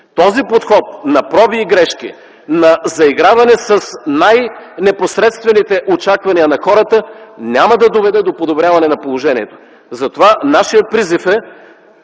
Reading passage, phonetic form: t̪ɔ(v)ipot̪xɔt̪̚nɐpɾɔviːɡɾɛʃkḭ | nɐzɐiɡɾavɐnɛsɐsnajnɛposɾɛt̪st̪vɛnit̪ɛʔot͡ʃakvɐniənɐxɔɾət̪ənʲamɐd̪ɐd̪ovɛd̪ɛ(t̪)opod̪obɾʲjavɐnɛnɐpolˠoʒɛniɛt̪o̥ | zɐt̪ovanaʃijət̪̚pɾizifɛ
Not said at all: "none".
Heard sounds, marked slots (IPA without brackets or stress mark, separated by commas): z, d̪